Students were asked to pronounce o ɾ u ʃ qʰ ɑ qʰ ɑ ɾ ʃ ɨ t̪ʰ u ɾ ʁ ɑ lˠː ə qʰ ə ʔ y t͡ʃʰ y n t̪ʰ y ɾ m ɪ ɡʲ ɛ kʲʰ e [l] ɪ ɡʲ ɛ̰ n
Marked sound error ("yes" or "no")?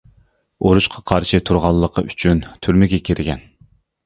yes